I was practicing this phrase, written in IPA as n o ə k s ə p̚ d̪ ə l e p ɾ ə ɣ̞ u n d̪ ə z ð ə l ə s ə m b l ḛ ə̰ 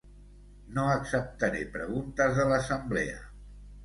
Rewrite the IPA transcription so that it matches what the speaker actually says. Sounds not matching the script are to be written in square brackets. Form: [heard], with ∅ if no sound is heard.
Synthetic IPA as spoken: n o ə k s ə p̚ [t̪] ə [ɾ] e p ɾ ə ɣ̞ u n [t̪] ə z ð ə l ə s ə m b l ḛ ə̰